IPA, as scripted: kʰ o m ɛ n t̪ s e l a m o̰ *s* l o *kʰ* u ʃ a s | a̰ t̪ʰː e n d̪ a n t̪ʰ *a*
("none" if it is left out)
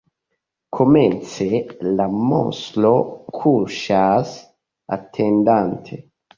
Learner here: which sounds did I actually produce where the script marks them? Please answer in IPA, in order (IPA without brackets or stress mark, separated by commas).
s, kʰ, e